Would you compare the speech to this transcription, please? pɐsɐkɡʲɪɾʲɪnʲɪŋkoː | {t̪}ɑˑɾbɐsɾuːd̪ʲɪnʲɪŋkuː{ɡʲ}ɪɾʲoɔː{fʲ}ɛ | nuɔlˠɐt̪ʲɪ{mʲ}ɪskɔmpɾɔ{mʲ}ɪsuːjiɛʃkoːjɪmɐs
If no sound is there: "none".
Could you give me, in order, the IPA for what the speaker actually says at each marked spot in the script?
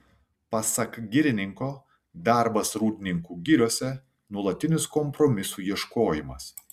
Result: d̪, ɡʲ, sʲ, nʲ, mʲ

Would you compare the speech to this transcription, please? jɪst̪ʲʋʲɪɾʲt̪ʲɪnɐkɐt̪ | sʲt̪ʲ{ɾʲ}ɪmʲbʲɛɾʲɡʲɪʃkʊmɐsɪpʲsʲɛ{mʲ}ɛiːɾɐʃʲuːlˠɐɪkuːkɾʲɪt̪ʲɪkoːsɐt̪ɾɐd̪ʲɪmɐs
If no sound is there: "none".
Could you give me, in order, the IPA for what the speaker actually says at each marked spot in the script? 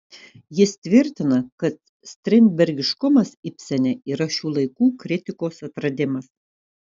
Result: ɾʲ, nʲ

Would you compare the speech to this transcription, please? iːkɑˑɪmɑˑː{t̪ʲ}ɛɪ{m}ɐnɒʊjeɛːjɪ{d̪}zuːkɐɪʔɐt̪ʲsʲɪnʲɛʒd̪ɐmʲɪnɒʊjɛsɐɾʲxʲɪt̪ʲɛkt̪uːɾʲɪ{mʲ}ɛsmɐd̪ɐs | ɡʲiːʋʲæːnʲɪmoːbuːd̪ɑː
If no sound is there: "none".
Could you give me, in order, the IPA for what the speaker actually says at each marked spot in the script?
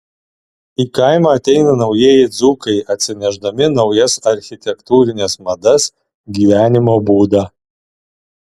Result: t̪ʲ, n, d̪, nʲ

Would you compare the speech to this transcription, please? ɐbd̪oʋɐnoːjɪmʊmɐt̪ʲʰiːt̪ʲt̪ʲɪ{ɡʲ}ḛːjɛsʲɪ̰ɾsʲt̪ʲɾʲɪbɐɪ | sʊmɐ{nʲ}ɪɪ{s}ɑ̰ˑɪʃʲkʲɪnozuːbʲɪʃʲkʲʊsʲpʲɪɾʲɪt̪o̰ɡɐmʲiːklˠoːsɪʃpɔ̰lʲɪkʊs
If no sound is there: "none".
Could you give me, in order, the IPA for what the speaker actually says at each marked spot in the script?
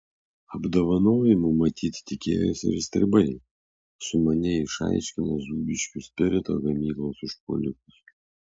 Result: kʲ, nʲ, ʃ

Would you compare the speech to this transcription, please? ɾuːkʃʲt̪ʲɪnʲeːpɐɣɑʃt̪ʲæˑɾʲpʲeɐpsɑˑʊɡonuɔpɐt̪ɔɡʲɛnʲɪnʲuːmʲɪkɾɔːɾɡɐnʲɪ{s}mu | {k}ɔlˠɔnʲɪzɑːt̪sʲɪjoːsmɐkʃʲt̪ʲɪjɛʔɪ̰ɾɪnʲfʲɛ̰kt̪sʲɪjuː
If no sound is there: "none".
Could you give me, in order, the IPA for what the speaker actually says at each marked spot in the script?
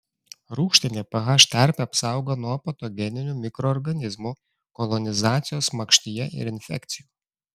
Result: z, k

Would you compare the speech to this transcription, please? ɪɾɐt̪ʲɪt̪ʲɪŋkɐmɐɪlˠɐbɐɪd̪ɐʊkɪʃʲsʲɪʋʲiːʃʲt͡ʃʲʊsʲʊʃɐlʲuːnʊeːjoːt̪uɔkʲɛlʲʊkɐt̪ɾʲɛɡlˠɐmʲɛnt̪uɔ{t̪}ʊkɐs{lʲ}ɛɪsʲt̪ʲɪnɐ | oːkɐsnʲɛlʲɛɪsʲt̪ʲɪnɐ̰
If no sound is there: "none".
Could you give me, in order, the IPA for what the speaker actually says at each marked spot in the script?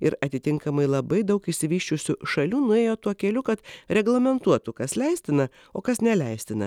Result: t̪, lʲ

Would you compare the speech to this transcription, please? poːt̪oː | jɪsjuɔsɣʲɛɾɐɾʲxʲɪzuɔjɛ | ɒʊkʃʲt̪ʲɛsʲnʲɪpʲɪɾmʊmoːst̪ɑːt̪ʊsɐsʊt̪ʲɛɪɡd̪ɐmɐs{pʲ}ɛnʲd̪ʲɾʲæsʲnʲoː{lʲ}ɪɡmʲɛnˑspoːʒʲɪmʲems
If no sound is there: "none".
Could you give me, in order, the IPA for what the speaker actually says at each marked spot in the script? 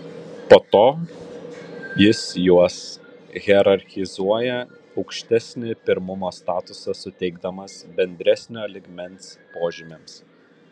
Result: bʲ, lʲ

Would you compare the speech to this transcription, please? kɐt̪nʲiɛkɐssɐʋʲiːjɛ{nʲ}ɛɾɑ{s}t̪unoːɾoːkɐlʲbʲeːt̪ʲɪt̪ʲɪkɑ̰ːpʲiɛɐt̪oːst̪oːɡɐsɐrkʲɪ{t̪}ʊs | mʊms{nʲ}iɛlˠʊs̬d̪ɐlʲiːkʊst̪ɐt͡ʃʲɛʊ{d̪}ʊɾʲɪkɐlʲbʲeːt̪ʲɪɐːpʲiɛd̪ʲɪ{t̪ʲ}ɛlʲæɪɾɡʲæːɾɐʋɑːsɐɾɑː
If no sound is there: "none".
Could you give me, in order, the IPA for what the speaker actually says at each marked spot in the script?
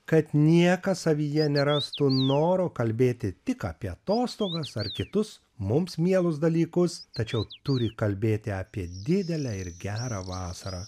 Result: nʲ, s, t̪, mʲ, t̪, d̪ʲ

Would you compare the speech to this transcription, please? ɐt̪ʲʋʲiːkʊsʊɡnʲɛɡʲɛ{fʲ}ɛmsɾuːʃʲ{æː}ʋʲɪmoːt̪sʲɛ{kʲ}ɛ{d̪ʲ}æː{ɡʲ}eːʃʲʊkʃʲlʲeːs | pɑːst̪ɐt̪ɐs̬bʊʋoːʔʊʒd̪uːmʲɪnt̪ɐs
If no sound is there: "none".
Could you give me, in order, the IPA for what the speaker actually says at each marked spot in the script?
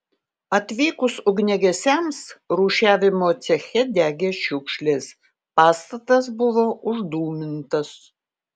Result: sʲ, æː, xʲ, d̪ʲ, ɡʲ

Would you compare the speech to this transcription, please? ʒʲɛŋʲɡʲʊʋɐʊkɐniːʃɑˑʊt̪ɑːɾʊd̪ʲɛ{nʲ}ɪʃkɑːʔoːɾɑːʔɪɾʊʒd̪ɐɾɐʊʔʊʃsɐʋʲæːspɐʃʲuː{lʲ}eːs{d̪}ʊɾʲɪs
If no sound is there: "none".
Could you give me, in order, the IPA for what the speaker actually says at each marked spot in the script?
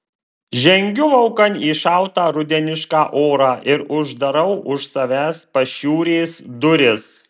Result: nʲ, ɾʲ, d̪

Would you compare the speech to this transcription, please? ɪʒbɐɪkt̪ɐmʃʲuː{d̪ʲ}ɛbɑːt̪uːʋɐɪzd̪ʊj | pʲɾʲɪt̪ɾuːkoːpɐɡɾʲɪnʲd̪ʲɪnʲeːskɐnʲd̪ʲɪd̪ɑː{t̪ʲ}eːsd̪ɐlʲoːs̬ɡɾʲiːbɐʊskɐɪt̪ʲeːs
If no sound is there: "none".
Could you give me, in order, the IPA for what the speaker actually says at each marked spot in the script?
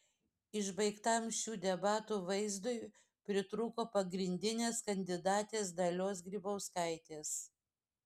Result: d̪ʲ, t̪ʲ

